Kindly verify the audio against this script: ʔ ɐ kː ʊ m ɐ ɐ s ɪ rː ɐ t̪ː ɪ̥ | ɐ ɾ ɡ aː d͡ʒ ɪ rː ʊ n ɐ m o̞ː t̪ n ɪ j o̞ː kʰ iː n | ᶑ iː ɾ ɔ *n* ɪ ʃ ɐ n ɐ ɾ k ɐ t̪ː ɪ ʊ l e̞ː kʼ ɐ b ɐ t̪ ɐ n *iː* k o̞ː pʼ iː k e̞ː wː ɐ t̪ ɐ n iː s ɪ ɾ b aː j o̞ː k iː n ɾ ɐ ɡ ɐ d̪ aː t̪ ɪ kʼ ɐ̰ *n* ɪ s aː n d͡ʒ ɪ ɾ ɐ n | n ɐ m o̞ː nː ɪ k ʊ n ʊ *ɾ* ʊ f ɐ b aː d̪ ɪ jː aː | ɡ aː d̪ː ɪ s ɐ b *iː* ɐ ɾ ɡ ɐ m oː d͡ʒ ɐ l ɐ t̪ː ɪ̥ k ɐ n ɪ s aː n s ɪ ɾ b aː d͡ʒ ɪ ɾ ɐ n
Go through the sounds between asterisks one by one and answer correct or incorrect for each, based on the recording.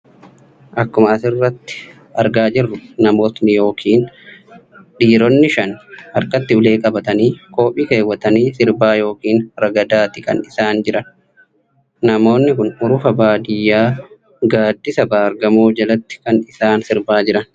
incorrect, correct, correct, correct, incorrect

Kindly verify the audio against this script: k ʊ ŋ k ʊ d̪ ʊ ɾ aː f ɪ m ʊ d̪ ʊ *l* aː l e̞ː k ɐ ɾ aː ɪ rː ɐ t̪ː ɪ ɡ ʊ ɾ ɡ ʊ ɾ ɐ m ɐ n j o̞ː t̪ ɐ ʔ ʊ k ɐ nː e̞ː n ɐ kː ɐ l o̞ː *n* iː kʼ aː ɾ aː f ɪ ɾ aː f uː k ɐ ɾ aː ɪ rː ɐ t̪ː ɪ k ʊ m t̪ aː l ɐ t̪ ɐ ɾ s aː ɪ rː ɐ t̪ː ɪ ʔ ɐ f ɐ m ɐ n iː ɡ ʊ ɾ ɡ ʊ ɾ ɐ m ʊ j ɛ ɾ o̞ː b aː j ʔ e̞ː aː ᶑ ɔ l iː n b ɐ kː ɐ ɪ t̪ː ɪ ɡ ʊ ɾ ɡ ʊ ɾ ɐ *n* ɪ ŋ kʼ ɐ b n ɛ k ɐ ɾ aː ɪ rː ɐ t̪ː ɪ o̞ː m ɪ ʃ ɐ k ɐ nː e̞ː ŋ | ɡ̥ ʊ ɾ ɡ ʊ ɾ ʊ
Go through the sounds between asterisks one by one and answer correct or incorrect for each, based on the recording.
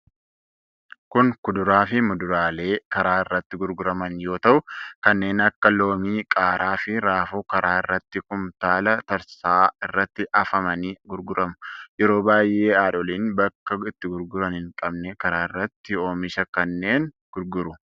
incorrect, incorrect, correct

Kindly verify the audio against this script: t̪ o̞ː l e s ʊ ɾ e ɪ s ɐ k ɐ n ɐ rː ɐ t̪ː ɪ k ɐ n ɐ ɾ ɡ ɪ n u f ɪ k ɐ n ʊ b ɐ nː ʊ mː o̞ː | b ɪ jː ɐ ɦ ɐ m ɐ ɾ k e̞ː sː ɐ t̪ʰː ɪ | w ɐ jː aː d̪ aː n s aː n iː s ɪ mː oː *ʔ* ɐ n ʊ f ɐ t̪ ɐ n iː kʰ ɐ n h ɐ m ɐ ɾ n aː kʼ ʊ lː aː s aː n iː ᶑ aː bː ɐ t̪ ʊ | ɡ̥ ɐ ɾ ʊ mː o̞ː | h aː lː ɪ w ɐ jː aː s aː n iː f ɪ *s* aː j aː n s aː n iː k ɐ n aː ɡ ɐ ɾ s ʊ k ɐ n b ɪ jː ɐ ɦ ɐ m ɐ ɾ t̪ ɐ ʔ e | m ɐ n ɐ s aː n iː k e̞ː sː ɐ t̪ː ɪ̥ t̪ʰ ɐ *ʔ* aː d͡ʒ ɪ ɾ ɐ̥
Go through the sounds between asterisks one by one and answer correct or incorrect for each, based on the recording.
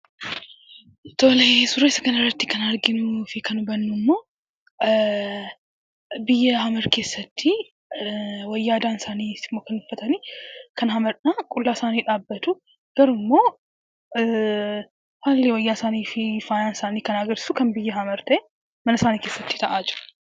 incorrect, incorrect, correct

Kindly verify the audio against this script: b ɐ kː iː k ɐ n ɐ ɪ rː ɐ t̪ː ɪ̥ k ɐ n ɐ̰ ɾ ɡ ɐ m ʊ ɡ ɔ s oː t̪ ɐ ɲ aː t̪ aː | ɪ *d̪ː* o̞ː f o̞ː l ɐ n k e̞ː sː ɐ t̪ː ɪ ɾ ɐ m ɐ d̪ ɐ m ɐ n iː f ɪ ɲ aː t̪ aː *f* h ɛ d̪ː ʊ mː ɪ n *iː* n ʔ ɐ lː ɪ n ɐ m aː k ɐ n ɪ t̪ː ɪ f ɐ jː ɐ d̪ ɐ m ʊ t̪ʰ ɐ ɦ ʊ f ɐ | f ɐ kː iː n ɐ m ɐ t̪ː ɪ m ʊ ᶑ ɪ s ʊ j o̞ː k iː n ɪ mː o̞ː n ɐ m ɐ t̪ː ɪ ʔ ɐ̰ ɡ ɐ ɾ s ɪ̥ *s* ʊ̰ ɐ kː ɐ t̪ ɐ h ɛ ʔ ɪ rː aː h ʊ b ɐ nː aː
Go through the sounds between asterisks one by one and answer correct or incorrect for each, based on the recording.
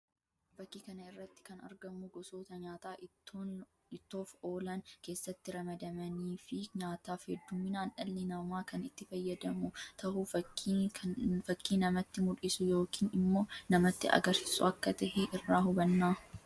incorrect, correct, incorrect, correct

